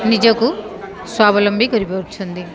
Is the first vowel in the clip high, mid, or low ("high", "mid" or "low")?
high